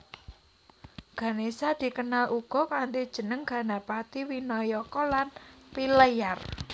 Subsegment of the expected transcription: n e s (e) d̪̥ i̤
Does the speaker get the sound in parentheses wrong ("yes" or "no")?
yes